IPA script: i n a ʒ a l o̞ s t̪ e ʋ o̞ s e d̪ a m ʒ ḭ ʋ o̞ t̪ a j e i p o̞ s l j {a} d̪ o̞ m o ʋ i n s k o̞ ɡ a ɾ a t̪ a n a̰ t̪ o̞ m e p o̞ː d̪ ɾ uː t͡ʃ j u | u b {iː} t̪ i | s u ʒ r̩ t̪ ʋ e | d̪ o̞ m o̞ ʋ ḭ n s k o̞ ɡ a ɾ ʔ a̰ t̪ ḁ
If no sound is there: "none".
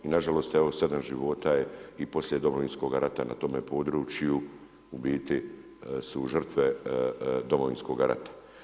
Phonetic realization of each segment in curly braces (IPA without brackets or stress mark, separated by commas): e, iː